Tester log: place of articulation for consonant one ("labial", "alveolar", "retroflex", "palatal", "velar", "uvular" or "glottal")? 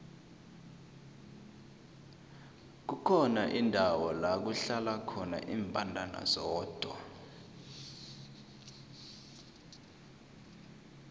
velar